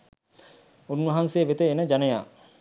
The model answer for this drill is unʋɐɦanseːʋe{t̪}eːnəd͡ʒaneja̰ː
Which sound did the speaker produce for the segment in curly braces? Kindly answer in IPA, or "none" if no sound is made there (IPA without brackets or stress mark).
t̪